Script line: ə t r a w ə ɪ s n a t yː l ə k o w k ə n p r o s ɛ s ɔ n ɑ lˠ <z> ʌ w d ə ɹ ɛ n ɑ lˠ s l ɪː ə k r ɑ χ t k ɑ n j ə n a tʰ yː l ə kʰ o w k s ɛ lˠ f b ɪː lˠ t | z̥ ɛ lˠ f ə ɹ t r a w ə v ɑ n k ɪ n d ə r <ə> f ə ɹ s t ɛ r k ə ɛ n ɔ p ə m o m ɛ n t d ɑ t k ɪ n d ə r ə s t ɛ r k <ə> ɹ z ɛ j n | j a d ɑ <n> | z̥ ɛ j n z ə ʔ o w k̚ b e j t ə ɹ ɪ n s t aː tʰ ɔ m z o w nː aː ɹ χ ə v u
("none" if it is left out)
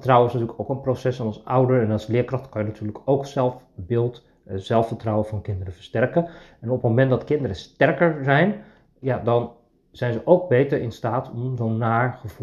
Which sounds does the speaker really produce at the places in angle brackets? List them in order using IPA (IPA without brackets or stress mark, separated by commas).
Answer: s, ə, ə, n